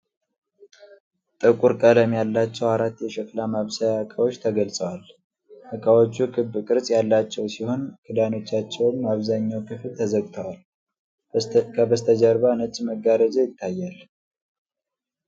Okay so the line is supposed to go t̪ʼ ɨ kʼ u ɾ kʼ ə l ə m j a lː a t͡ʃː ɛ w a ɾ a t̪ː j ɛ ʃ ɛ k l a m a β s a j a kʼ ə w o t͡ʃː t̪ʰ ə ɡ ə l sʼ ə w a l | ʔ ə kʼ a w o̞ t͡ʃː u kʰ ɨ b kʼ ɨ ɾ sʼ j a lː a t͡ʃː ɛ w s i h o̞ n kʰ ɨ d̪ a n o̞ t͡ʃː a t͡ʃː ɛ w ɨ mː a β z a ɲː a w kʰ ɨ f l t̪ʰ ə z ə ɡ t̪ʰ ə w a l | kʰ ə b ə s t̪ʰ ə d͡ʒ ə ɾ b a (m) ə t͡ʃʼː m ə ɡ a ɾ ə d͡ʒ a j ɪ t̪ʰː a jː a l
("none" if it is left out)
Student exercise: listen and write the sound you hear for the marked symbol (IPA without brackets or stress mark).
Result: n